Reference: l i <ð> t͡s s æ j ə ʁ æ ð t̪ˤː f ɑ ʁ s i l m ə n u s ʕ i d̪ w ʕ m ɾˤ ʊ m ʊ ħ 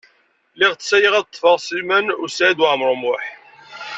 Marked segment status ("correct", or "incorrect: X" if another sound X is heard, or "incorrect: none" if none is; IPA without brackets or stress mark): incorrect: ʁ